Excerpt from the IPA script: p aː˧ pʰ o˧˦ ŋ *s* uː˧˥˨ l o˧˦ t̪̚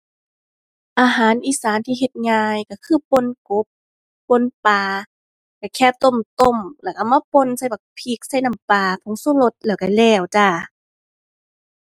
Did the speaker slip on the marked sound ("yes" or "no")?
no